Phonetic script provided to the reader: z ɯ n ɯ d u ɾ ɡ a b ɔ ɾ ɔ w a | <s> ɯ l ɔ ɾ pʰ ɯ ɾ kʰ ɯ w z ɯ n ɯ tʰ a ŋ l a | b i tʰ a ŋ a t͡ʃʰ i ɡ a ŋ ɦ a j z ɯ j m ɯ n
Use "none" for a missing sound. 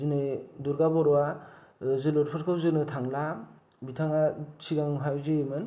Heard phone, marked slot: z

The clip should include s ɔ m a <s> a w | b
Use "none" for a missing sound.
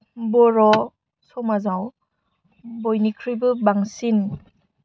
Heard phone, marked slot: z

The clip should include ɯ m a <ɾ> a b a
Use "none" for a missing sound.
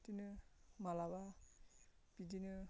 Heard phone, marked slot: l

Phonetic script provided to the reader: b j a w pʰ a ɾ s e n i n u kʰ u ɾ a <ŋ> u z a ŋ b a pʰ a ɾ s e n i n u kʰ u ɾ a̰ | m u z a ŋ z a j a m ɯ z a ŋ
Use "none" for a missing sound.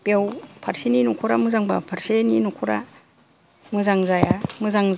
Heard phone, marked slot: m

